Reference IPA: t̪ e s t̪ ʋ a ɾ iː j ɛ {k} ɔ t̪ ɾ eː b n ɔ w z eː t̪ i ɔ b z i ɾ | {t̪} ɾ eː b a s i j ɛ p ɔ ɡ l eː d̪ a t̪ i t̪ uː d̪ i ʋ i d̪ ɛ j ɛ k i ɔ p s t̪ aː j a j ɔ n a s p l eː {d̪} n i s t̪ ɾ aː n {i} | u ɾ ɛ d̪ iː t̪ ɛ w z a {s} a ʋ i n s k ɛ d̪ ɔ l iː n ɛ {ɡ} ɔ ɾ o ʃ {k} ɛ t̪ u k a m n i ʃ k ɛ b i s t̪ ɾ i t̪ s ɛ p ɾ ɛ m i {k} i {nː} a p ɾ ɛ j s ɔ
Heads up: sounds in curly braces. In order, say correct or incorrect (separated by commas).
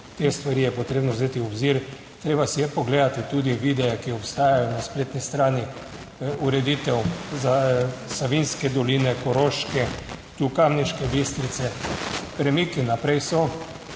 incorrect, correct, incorrect, correct, correct, incorrect, correct, correct, incorrect